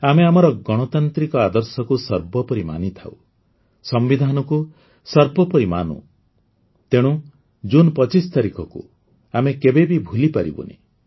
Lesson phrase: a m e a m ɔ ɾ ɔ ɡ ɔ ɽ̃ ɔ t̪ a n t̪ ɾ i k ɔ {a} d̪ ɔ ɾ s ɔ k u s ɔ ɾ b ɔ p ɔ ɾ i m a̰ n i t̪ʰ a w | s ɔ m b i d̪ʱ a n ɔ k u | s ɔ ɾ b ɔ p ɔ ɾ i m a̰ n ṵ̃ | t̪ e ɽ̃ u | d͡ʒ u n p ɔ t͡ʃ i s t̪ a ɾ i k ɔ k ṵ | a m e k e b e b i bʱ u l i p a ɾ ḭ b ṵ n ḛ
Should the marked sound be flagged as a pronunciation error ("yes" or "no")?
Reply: no